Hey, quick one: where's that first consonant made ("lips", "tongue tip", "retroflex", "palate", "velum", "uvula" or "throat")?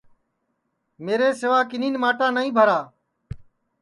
lips